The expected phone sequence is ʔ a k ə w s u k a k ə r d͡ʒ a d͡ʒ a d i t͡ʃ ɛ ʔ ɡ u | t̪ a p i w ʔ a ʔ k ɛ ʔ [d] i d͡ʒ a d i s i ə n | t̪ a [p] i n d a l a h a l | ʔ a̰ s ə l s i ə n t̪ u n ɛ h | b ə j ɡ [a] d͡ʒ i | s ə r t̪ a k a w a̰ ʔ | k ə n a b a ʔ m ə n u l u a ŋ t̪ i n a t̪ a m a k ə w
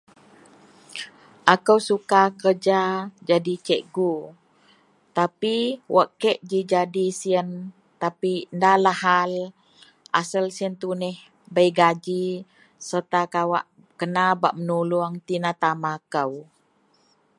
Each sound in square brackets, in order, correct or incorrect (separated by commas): incorrect, correct, correct